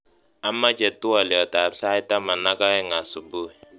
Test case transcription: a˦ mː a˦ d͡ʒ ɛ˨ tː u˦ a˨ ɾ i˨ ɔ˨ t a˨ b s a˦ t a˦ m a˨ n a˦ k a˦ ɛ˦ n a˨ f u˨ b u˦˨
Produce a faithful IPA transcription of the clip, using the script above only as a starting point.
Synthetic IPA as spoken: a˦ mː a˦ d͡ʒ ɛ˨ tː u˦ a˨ l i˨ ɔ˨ t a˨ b s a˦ t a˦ m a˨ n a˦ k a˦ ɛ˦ ŋ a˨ s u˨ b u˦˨

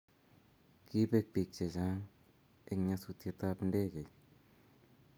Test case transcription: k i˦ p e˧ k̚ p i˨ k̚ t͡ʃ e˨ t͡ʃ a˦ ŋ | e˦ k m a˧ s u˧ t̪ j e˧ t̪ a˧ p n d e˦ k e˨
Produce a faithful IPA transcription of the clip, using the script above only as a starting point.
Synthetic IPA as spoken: k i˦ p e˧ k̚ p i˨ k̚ t͡ʃ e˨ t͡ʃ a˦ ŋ | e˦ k ɲ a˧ s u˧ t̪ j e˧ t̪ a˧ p n d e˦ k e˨

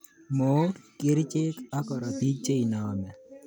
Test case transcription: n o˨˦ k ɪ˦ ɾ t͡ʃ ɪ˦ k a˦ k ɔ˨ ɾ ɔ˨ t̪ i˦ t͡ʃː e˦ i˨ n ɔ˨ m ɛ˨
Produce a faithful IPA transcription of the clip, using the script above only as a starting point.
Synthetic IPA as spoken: m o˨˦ k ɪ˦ ɾ t͡ʃ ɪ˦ k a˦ k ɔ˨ ɾ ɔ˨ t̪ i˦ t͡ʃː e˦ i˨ n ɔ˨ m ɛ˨

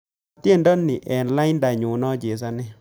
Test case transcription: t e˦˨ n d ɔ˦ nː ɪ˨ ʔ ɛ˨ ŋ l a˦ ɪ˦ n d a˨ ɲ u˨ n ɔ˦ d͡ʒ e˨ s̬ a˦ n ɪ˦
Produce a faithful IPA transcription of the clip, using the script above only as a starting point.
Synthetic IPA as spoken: t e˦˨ n d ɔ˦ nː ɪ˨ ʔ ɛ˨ n l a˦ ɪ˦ n d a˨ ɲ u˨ n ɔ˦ d͡ʒ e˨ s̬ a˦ n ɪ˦

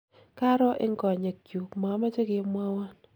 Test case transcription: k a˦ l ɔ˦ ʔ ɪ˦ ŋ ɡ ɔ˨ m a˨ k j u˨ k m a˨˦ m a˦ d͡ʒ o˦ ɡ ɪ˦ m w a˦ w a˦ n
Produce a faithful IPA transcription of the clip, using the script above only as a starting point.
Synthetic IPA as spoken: k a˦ ɾ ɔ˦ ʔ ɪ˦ ŋ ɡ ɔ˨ ɲ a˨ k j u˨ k m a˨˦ m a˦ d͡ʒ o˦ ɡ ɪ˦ m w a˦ w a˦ n

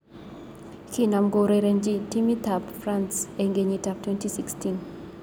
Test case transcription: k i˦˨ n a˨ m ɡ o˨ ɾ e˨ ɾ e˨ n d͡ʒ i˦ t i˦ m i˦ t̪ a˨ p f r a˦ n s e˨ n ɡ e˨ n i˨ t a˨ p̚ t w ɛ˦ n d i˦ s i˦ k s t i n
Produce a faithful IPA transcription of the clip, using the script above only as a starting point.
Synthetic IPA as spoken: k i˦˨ n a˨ m ɡ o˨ ɾ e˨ ɾ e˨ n d͡ʒ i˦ t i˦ m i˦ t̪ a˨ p f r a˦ n s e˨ ŋ ɡ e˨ ɲ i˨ t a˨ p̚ t w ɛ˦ n t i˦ s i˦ k s t i n

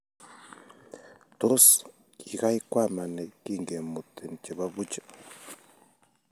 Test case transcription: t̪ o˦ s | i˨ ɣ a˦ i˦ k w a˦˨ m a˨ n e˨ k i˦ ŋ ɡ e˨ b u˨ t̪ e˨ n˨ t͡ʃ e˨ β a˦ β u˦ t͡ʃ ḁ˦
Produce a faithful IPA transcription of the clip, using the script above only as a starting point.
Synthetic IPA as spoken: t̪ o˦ s | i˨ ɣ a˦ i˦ k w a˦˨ m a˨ n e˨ k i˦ ŋ ɡ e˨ m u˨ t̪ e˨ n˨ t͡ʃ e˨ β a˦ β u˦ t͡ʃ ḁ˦

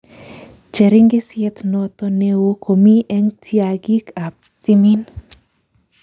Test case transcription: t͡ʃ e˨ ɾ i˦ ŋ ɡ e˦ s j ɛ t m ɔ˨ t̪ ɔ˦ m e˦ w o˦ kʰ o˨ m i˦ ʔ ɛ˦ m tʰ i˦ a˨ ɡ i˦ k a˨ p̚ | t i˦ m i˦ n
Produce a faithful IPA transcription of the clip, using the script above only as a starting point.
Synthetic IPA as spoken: t͡ʃ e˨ ɾ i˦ ŋ ɡ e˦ s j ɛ t n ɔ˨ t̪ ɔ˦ n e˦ w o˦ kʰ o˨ m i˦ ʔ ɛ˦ ŋ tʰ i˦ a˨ ɡ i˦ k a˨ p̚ | t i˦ m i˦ n

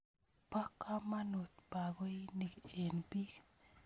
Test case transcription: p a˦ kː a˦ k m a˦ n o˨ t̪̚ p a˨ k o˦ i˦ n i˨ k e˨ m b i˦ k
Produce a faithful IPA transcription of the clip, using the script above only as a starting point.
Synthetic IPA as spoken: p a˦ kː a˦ m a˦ n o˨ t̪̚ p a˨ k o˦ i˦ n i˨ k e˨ n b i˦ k

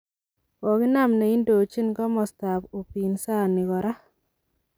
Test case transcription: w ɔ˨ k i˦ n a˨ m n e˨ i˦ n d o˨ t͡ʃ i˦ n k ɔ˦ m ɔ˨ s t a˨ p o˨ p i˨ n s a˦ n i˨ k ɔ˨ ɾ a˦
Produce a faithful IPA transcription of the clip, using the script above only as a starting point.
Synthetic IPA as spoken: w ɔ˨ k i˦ n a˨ m n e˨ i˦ n d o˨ t͡ʃ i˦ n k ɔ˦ m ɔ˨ s t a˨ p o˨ p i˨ n s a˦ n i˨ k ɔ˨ ɾ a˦

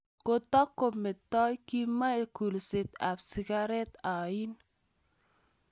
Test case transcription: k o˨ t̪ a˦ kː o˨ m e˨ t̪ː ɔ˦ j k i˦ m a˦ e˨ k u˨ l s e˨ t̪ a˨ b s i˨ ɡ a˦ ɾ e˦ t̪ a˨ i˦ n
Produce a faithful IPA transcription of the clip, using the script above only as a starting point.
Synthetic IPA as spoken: k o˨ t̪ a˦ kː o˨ m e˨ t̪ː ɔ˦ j k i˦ m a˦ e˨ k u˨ l s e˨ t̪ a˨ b s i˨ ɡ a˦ ɾ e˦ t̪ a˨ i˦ n

